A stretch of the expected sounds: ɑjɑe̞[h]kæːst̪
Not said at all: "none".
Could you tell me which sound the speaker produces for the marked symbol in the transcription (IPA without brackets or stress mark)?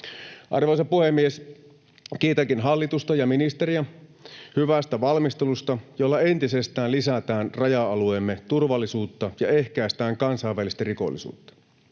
h